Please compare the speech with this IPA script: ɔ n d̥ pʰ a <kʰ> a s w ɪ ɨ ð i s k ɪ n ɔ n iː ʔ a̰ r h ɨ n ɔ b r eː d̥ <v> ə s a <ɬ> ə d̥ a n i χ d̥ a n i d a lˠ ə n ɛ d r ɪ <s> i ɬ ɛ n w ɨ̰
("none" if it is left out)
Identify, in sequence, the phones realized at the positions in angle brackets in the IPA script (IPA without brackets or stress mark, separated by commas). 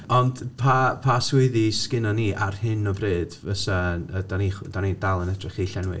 pʰ, v, none, χ